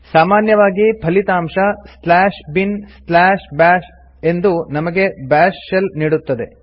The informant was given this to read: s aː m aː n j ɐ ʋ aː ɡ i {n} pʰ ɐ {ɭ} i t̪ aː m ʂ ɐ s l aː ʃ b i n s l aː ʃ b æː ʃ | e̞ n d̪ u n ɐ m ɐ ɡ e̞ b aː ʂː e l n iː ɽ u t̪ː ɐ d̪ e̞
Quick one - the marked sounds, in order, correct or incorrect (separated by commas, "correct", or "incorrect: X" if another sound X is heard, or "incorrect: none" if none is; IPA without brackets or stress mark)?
incorrect: none, incorrect: l